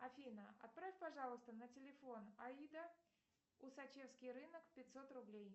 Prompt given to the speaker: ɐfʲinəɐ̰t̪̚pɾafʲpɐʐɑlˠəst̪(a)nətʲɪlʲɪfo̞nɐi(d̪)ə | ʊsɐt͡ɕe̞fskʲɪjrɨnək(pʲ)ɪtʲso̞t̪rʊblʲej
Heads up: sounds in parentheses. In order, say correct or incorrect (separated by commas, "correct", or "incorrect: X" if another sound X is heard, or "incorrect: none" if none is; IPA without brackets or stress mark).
incorrect: ə, correct, correct